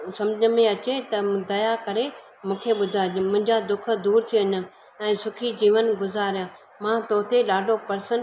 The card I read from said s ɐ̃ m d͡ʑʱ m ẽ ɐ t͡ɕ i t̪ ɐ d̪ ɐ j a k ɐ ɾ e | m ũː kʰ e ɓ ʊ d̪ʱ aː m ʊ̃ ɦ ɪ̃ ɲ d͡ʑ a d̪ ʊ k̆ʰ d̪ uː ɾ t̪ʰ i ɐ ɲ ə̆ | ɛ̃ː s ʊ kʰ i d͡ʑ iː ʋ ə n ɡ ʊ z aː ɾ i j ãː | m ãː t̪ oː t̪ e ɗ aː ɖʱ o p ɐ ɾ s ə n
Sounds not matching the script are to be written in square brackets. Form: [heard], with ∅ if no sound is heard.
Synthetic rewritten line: s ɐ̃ m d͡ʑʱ m ẽ ɐ t͡ɕ [e] t̪ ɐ d̪ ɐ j a k ɐ ɾ e | m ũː kʰ e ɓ ʊ d̪ʱ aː m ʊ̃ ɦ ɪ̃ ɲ d͡ʑ a d̪ ʊ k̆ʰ d̪ uː ɾ t̪ʰ i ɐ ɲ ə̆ | ɛ̃ː s ʊ kʰ i d͡ʑ iː ʋ ə n ɡ ʊ z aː ɾ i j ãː | m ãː t̪ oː t̪ e ɗ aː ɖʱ o p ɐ ɾ s ə n